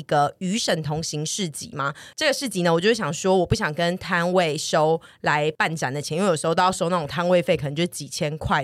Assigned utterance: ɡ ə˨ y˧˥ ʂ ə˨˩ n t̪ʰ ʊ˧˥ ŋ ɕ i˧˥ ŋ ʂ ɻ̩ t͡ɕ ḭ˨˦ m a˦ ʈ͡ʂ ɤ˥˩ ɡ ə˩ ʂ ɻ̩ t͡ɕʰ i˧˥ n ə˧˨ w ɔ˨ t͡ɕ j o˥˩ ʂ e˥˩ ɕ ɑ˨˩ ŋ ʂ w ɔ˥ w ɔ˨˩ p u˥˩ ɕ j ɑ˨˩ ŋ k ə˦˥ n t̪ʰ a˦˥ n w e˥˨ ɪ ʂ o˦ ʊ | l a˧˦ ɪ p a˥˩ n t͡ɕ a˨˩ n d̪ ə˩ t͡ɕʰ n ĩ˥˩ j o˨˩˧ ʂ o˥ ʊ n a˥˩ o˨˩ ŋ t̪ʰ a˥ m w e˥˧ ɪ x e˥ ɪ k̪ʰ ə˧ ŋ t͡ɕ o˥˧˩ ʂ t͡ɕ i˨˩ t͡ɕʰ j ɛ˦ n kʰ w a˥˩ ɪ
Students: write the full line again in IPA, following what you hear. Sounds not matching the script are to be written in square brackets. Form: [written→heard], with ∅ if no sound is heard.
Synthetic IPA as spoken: ɡ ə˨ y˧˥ ʂ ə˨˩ n t̪ʰ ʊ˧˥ ŋ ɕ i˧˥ ŋ ʂ ɻ̩ t͡ɕ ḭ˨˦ m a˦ ʈ͡ʂ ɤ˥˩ ɡ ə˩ ʂ ɻ̩ [t͡ɕʰ→t͡ɕ] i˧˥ n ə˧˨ w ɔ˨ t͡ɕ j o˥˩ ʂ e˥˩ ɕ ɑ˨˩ ŋ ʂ w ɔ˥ w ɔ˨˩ p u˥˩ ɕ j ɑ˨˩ ŋ k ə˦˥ n t̪ʰ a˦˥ n w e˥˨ ɪ ʂ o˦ ʊ | l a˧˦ ɪ p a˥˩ n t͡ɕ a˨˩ n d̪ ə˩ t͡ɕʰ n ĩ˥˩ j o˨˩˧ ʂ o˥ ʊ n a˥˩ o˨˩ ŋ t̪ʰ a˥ [m→n] w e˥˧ ɪ [x→f] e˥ ɪ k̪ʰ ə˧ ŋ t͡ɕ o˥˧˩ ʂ t͡ɕ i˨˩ t͡ɕʰ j ɛ˦ n kʰ w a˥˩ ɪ